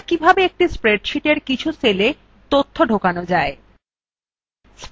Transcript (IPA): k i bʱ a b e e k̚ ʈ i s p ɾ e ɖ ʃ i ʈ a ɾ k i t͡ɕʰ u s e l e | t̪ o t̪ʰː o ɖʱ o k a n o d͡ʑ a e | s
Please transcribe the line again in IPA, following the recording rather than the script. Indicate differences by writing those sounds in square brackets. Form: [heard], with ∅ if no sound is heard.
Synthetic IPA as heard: k i bʱ a b e e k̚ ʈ i s p ɾ e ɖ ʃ i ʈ [e] ɾ k i t͡ɕʰ u s e l e | t̪ o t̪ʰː o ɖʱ o k a n o d͡ʑ a e | s